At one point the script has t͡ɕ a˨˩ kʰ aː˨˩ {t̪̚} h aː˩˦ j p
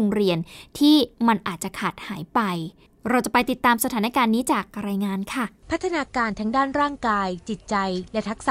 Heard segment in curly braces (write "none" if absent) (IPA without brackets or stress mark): t̪̚